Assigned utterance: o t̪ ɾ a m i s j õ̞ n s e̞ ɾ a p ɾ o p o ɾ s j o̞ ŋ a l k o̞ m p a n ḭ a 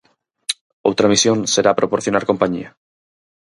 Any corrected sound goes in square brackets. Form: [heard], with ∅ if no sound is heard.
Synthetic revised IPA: o t̪ ɾ a m i s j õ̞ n s e̞ ɾ a p ɾ o p o ɾ [θ] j o̞ [n] a [ɾ] k o̞ m p a [ɲ] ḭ a